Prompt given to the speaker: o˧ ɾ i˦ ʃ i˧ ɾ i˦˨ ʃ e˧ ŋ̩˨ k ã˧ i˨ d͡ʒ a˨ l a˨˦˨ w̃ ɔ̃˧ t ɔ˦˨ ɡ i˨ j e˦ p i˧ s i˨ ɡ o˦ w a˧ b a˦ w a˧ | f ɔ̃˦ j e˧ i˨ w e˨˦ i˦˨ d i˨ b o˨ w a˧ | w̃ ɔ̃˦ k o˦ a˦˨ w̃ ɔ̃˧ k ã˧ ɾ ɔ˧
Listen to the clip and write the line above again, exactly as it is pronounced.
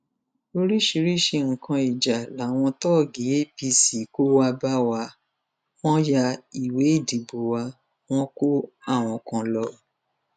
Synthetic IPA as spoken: o˧ ɾ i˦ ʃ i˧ ɾ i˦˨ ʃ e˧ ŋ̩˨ k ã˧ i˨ d͡ʒ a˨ l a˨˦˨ w̃ ɔ̃˧ t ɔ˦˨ ɡ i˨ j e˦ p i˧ s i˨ k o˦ w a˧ b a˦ w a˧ | f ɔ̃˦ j a˧ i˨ w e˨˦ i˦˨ d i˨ b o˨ w a˧ | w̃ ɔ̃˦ k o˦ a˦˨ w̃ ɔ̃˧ k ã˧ l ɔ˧